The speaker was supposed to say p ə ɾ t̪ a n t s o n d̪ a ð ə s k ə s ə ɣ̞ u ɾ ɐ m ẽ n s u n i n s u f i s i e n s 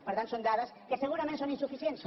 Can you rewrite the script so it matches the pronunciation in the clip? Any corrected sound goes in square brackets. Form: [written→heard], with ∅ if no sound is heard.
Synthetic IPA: p ə ɾ t̪ a n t s o n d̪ a ð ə s k ə s ə ɣ̞ u ɾ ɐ m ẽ n s [u→o] n i n s u f i s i e n s

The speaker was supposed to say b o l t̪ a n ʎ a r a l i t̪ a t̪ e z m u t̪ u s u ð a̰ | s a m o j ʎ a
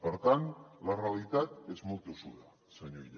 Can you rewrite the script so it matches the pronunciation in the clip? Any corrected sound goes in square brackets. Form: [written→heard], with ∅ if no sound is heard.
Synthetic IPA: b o [l→ɾ] t̪ a n [ʎ→l] a r a l i t̪ a t̪ e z m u t̪ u s u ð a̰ | s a [m→ɲ] o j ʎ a

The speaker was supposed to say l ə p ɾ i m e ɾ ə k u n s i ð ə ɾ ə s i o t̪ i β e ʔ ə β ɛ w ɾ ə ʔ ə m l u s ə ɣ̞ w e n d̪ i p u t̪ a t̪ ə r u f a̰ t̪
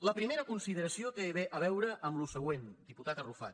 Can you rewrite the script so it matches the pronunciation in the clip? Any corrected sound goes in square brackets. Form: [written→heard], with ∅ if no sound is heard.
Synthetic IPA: l ə p ɾ i m e ɾ ə k u n s i ð ə ɾ ə s i o t̪ [i→e] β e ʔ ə β ɛ w ɾ ə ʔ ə m l u s ə ɣ̞ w e n d̪ i p u t̪ a t̪ ə r u f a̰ t̪

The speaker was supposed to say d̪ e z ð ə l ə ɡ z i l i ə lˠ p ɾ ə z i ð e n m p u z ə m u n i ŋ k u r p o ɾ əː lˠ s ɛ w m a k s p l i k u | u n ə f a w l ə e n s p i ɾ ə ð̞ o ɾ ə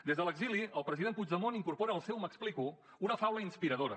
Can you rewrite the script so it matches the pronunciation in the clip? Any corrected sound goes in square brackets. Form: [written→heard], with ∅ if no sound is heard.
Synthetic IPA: d̪ e z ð ə l ə ɡ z i l i ə lˠ p ɾ ə z i ð e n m p u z ə m [u→o] n i ŋ k u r p o ɾ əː lˠ s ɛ w m [a→ə] k s p l i k u | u n ə f a w l ə [e→i] n s p i ɾ ə ð̞ o ɾ ə

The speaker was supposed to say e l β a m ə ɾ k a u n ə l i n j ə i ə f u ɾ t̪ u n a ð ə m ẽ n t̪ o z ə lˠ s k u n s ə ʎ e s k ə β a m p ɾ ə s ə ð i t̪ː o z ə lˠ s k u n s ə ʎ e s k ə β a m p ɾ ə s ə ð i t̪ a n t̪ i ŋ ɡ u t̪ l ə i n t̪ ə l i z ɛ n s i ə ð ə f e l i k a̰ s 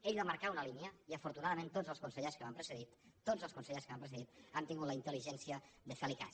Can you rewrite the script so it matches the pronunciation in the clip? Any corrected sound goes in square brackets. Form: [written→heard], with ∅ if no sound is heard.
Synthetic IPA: e [l→ʎ] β a m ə ɾ k a u n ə l i n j ə i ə f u ɾ t̪ u n a ð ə m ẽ n t̪ o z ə lˠ s k u n s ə ʎ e s k ə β a m p ɾ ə s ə ð i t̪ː o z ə lˠ s k u n s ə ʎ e s k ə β a m p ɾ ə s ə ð i t̪ a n t̪ i ŋ ɡ u t̪ l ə i n t̪ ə l i [z→ʒ] ɛ n s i ə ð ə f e l i k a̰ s

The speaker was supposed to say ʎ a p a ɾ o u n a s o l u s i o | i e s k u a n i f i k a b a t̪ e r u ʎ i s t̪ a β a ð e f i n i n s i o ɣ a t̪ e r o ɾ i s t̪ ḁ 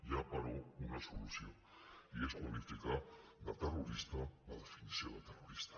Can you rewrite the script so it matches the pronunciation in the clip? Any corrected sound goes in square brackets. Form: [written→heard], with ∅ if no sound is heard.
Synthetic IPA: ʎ a p a ɾ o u n a s o l u s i o | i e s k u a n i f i k a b a t̪ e r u [ʎ→ɾ] i s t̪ a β a ð e f i n i [n→∅] s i o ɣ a t̪ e r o ɾ i s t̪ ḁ

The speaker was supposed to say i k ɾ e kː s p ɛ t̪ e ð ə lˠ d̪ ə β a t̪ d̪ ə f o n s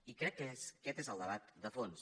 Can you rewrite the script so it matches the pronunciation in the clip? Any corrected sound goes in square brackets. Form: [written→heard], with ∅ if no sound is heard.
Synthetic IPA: i k ɾ [e→ɛ] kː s [p→k] ɛ t̪ e [ð→z] ə lˠ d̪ ə β a t̪ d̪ ə f o n s

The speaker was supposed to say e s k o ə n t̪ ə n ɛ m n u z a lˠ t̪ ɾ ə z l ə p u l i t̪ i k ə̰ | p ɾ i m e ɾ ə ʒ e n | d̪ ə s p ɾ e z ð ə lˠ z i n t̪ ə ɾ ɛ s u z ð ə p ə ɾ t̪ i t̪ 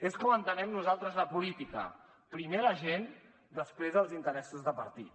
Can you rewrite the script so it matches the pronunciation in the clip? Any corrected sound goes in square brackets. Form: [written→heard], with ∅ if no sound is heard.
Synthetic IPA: e s k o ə n t̪ ə n ɛ m n u z a lˠ t̪ ɾ ə z l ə p u l i t̪ i k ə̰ | p ɾ i m e ɾ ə ʒ e n | d̪ ə s p ɾ e z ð ə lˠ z i n t̪ ə ɾ ɛ s u z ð ə p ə ɾ t̪ i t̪

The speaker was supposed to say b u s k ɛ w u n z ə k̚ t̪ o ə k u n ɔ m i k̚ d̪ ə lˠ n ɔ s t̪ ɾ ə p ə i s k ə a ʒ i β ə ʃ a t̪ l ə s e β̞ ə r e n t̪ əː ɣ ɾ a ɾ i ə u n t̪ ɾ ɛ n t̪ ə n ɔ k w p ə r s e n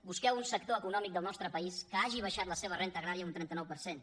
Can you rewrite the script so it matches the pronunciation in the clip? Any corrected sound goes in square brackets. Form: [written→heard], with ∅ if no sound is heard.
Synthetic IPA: b u s k ɛ w u n [z→s] ə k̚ t̪ o ə k u n ɔ m i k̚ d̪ ə lˠ n ɔ s t̪ ɾ ə p ə i s k ə a ʒ i β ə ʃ a t̪ l ə s e β̞ ə r e n t̪ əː ɣ ɾ a ɾ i ə u n t̪ ɾ ɛ n t̪ ə n ɔ [k→∅] w p ə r s e n

